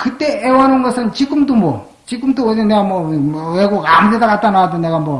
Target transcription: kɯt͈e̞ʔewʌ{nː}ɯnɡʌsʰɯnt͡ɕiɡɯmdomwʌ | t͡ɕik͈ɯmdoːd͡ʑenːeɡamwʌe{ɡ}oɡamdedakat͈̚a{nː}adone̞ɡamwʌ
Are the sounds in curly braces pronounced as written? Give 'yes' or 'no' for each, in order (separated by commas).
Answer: no, yes, no